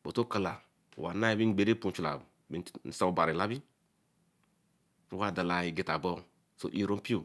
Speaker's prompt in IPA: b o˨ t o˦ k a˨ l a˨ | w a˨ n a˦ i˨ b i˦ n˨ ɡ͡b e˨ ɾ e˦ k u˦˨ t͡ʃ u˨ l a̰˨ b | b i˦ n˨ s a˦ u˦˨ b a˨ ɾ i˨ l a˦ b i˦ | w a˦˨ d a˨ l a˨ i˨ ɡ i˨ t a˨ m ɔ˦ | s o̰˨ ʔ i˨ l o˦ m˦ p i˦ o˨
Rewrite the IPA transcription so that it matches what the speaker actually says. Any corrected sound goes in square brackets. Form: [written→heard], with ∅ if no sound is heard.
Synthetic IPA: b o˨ t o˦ k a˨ l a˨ | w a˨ n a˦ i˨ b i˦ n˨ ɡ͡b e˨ ɾ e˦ [k→p] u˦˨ t͡ʃ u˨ l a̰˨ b | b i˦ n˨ s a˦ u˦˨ b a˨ ɾ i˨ l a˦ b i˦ | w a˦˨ d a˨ l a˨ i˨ ɡ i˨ t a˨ [m→b] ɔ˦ | s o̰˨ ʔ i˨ [l→ɾ] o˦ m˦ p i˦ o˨